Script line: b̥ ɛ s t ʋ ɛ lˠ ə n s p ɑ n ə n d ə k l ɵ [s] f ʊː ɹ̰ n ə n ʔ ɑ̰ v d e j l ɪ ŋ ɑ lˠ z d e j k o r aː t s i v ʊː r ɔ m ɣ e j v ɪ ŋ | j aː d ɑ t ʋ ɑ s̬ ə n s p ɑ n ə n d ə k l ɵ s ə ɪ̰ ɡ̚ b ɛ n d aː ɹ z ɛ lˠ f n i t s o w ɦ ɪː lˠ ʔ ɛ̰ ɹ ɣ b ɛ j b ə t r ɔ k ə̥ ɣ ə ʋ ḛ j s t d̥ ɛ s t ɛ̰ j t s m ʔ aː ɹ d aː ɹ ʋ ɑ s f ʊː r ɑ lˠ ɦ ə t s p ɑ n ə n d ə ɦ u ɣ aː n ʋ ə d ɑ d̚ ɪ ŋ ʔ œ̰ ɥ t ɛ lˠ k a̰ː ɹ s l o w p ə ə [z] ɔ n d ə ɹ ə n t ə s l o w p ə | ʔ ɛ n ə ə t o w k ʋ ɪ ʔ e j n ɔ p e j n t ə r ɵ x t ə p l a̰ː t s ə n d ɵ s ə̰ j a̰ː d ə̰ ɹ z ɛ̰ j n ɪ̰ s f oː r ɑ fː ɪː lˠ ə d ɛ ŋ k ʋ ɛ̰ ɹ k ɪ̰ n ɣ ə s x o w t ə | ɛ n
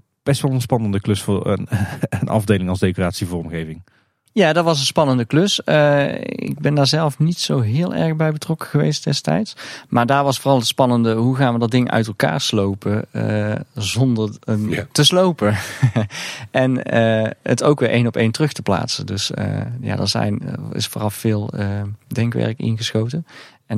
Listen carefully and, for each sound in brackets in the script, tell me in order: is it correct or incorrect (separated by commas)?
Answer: correct, correct